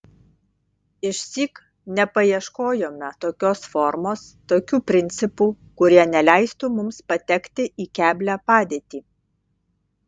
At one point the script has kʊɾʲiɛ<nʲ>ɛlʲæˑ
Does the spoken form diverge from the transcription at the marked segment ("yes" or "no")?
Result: no